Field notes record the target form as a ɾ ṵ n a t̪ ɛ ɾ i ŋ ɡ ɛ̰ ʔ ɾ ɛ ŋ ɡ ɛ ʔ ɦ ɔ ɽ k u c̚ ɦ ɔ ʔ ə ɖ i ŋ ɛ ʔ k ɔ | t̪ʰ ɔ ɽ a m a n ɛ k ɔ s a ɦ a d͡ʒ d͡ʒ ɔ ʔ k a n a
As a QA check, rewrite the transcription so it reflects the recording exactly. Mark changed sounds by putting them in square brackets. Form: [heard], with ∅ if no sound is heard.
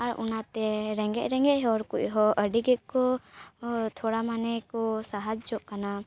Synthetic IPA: a ɾ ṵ n a t̪ ɛ ɾ [ɛ] ŋ ɡ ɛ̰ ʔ ɾ ɛ ŋ ɡ ɛ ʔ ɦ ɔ [ɾ] k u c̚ ɦ ɔ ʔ ə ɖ i [ɡ] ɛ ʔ k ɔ | t̪ʰ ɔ ɽ a m a n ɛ k ɔ s a ɦ a d͡ʒ d͡ʒ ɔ ʔ k a n a

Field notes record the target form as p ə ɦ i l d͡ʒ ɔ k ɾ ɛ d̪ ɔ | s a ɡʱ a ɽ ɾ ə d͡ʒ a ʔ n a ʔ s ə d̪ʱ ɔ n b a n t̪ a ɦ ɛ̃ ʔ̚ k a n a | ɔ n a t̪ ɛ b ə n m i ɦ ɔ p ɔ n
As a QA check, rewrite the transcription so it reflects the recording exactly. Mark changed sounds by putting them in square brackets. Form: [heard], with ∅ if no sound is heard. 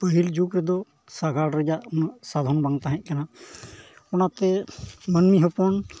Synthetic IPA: p ə ɦ i l d͡ʒ [u] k ɾ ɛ d̪ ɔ | s a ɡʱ a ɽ ɾ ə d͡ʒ a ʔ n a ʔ s [a] d̪ʱ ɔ n b a [ŋ] t̪ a ɦ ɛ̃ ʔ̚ k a n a | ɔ n a t̪ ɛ [m] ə n m i ɦ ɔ p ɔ n

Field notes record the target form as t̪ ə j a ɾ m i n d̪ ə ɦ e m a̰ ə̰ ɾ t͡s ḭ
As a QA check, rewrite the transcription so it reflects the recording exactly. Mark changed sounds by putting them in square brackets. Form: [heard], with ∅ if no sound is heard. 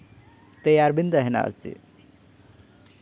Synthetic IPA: t̪ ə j a ɾ [b] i n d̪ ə ɦ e [n] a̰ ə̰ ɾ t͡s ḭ

